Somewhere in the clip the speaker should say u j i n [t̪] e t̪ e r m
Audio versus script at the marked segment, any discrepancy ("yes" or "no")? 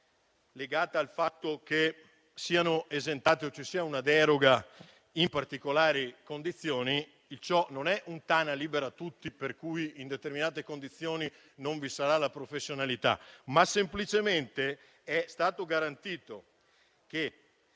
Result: yes